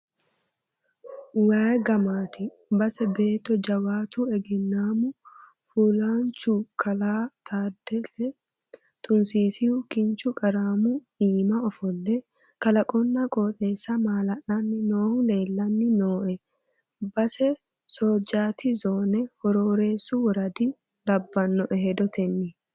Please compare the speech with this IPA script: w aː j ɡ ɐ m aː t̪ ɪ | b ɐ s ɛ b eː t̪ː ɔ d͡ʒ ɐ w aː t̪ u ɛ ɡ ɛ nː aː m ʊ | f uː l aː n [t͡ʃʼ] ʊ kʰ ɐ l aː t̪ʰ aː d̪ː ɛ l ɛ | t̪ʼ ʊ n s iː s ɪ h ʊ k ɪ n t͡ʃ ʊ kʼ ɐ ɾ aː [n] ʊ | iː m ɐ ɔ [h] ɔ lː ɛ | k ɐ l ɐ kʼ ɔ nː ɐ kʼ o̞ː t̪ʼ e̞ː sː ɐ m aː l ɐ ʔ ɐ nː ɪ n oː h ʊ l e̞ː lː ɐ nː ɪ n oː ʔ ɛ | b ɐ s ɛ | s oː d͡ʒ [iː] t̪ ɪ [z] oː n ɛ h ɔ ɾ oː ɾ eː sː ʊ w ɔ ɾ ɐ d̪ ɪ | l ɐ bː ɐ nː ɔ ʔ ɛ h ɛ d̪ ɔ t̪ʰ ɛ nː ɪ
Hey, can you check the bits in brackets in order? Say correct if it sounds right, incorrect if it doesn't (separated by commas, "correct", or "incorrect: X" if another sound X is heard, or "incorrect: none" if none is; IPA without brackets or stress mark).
incorrect: t͡ʃ, incorrect: m, incorrect: f, incorrect: aː, correct